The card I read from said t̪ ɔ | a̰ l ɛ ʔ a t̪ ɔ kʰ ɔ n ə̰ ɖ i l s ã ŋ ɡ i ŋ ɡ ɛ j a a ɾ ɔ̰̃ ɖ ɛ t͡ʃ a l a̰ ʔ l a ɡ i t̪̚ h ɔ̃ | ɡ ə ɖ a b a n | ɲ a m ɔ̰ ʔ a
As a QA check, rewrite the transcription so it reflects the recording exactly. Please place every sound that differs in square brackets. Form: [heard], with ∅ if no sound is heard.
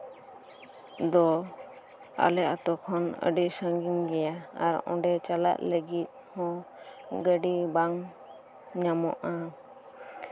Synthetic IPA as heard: [d̪] ɔ | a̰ l ɛ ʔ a t̪ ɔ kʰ ɔ n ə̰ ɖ i [∅] s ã ŋ ɡ i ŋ ɡ ɛ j a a ɾ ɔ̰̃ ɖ ɛ t͡ʃ a l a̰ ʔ l [ə] ɡ i t̪̚ h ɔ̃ | ɡ ə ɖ [i] b a [ŋ] | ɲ a m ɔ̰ ʔ a